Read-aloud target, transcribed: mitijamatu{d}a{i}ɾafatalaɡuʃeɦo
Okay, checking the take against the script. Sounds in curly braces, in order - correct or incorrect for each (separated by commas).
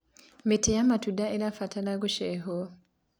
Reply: correct, incorrect